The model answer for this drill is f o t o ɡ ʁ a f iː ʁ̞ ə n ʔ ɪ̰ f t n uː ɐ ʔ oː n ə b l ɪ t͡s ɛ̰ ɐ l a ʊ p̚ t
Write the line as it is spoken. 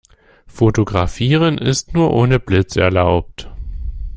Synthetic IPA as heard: f o t o ɡ ʁ a f iː ʁ̞ ə n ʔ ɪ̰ s t n uː ɐ ʔ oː n ə b l ɪ t͡s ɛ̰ ɐ l a ʊ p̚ t

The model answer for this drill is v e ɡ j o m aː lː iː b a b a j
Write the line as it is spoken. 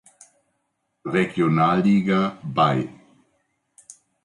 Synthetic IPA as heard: ʁ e ɡ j o n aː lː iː ɡ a b a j

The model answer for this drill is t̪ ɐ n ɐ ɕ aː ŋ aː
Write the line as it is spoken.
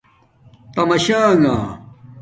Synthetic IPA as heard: t̪ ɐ m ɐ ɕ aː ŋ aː

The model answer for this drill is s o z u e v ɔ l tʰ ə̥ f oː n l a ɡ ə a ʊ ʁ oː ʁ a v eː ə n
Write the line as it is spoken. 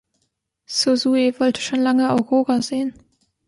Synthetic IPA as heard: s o z u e v ɔ l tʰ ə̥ ʃ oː n l a ŋ ə a ʊ ʁ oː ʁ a z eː ə n

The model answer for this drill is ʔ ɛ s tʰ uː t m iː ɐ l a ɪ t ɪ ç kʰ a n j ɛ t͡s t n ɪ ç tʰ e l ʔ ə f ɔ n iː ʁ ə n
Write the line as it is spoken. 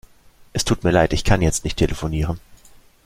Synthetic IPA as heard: ʔ ɛ s tʰ uː t m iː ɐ l a ɪ t ɪ ç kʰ a n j ɛ t͡s t n ɪ ç tʰ e l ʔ ə f o n iː ʁ ə n

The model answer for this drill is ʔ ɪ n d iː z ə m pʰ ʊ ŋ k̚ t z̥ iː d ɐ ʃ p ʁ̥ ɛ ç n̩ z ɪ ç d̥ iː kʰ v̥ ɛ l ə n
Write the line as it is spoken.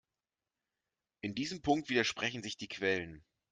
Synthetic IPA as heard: ʔ ɪ n d iː z ə m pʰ ʊ ŋ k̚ t v̥ iː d ɐ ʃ p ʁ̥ ɛ ç n̩ z ɪ ç d̥ iː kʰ v̥ ɛ l ə n

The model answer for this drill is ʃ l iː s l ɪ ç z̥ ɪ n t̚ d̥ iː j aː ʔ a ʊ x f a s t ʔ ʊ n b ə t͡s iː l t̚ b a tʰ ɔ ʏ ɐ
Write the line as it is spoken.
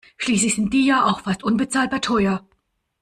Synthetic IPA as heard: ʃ l iː s l ɪ ç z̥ ɪ n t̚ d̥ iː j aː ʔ a ʊ x f a s t ʔ ʊ n b ə t͡s aː l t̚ b a tʰ ɔ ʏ ɐ

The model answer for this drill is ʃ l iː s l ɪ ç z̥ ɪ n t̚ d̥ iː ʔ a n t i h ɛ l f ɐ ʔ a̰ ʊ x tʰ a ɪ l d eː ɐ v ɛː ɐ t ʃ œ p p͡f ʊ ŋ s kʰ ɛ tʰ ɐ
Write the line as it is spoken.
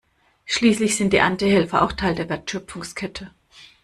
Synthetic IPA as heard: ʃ l iː s l ɪ ç z̥ ɪ n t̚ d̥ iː ʔ a n t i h ɛ l f ɐ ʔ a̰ ʊ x tʰ a ɪ l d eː ɐ v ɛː ɐ t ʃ œ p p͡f ʊ ŋ s kʰ ɛ tʰ ə

